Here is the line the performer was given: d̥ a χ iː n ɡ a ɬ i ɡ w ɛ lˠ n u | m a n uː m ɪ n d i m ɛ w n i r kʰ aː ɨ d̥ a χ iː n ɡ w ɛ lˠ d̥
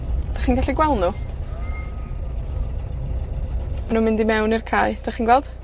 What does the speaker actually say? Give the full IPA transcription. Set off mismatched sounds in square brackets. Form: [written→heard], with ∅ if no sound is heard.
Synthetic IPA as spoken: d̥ a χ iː n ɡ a ɬ i ɡ w ɛ lˠ n u | m a n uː m ɪ n d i m ɛ w n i r kʰ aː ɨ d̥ a χ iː n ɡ w ɛ lˠ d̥